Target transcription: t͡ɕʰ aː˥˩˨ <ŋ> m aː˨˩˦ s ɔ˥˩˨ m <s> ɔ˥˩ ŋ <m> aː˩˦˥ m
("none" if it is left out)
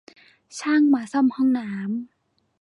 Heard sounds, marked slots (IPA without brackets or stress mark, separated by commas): ŋ, h, n